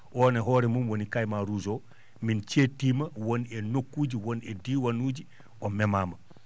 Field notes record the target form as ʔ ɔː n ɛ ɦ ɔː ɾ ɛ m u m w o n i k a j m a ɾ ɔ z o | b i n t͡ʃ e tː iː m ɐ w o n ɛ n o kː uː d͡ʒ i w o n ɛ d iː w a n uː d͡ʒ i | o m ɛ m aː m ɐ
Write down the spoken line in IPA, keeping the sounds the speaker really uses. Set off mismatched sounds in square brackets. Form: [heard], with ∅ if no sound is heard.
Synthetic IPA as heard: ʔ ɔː n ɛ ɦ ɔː ɾ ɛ m u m w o n i k a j m a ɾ [u] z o | [m] i n t͡ʃ e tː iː m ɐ w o n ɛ n o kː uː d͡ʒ i w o n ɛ d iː w a n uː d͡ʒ i | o m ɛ m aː m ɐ